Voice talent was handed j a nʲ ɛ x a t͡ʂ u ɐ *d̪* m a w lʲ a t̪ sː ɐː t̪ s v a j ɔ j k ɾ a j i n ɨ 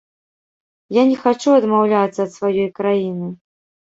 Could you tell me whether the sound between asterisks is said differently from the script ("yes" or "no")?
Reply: no